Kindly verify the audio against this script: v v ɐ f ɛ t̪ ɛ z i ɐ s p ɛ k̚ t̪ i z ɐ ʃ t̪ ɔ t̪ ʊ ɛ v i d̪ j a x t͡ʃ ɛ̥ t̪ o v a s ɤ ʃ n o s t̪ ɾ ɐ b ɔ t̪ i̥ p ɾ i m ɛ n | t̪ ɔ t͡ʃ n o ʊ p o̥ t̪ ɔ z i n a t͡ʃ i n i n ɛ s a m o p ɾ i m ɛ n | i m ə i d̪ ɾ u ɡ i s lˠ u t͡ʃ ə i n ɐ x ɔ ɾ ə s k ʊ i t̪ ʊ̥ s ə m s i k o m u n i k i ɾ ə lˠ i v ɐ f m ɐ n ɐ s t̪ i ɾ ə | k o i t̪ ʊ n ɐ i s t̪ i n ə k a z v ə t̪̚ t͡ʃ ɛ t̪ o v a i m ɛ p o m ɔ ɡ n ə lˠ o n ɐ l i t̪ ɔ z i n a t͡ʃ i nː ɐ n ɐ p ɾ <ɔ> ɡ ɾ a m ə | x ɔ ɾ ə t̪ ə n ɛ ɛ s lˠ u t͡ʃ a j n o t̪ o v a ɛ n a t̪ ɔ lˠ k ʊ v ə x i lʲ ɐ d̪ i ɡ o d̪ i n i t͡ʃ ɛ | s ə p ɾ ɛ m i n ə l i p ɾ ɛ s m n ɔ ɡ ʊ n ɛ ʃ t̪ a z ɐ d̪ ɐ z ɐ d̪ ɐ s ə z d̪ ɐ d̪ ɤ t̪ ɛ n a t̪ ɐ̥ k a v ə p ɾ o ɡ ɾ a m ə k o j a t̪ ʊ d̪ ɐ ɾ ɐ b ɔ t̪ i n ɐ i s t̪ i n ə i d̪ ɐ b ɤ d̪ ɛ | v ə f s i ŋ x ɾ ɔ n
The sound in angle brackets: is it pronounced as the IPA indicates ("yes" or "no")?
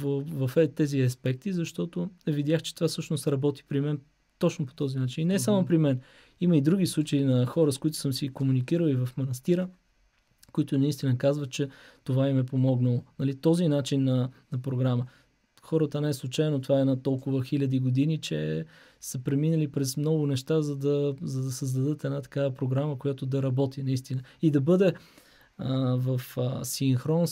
no